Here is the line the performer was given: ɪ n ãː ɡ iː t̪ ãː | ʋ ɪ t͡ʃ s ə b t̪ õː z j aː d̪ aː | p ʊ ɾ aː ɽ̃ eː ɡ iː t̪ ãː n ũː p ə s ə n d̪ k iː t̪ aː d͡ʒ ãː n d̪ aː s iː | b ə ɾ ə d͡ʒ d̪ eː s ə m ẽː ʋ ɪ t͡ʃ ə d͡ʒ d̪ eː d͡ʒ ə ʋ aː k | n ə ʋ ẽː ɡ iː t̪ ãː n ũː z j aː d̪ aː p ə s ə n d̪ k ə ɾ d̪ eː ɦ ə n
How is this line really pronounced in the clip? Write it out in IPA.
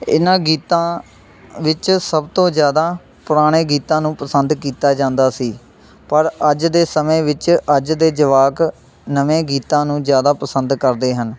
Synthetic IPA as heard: ɪ n ãː ɡ iː t̪ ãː | ʋ ɪ t͡ʃ s ə b t̪ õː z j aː d̪ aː | p ʊ ɾ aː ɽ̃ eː ɡ iː t̪ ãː n ũː p ə s ə n d̪ k iː t̪ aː d͡ʒ ãː n d̪ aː s iː | p ə ɾ ə d͡ʒ d̪ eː s ə m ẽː ʋ ɪ t͡ʃ ə d͡ʒ d̪ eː d͡ʒ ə ʋ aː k | n ə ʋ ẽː ɡ iː t̪ ãː n ũː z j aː d̪ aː p ə s ə n d̪ k ə ɾ d̪ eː ɦ ə n